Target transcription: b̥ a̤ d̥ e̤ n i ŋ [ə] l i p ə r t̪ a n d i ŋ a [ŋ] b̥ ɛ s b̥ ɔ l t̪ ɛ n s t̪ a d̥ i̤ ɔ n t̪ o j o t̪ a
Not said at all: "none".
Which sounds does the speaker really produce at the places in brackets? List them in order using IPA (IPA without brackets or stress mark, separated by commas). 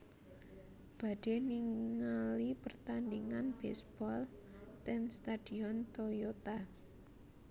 a, n